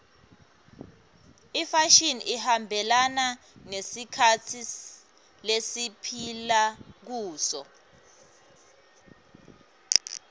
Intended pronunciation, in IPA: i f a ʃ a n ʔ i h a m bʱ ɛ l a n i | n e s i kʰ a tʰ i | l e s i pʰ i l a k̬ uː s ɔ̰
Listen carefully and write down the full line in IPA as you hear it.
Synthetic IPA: i f a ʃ i n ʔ i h a m bʱ ɛ l a n a | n e s i kʰ a tʰ i | l e s i pʰ i l a k̬ uː s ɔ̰